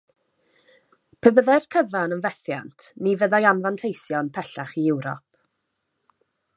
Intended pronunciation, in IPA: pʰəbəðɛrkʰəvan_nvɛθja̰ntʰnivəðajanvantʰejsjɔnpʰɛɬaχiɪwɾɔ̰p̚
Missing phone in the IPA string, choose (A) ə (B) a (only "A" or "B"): A